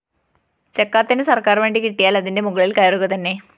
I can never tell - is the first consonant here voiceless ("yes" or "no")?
yes